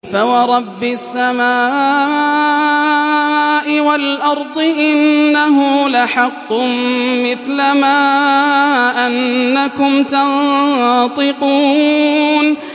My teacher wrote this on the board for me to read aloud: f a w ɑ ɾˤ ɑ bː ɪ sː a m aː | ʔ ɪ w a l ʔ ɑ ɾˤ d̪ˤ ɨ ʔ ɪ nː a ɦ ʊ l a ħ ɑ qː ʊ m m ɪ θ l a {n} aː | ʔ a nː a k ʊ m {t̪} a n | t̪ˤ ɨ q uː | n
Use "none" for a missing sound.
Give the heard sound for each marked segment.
m, t̪

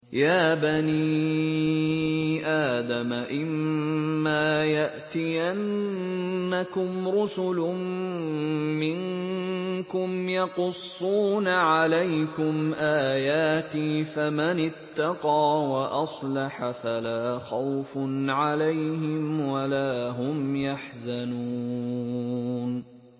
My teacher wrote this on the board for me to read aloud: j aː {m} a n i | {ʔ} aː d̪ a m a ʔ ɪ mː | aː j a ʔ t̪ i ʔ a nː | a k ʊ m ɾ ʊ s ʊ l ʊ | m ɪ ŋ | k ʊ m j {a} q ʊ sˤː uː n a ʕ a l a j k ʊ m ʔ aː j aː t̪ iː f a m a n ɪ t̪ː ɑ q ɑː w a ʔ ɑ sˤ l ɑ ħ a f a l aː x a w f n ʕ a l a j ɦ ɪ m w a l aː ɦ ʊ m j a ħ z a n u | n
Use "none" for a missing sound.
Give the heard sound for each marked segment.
b, ʔ, ɑ

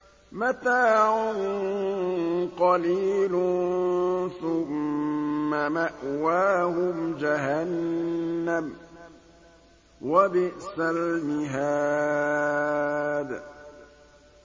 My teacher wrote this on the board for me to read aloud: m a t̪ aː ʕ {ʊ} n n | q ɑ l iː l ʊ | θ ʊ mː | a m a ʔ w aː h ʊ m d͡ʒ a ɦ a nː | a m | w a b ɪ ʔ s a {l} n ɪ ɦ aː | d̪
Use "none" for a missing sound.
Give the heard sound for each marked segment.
ʊ, l

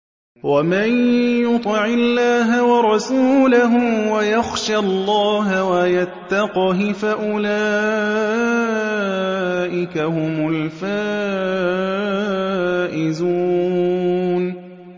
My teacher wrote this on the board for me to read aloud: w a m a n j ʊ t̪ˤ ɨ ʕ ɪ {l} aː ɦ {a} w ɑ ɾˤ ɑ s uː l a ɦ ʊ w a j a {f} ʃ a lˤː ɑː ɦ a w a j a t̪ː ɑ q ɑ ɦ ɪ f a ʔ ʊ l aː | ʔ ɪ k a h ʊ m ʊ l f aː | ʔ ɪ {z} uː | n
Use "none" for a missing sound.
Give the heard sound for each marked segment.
lː, a, x, z

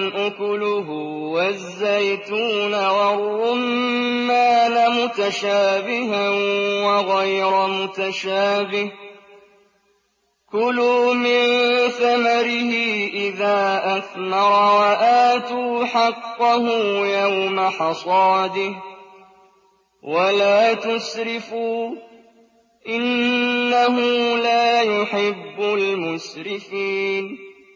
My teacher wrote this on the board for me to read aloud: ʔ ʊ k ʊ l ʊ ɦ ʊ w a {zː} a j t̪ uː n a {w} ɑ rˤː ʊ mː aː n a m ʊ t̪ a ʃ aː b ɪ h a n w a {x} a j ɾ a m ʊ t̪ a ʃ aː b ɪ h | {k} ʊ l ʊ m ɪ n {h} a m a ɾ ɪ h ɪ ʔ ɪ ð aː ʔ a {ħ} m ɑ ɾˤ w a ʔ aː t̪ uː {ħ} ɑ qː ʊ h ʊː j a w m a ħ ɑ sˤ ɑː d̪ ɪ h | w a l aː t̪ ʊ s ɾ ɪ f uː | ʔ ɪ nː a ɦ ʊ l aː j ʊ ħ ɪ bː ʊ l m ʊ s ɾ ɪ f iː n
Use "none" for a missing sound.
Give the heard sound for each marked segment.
zː, w, ɣ, k, θ, θ, ħ

